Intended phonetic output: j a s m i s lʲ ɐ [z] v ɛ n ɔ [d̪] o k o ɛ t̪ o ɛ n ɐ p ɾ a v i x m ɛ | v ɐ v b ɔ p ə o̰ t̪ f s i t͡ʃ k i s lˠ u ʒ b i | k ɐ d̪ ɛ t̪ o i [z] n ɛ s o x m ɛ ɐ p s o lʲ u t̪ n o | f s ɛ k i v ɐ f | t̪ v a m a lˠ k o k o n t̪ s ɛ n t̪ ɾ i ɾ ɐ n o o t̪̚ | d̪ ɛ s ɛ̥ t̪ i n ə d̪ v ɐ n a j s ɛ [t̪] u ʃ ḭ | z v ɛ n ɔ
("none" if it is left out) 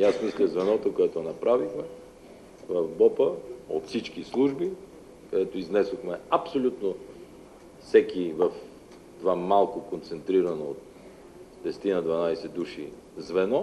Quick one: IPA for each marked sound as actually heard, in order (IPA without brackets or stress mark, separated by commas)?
z, t̪, z, d̪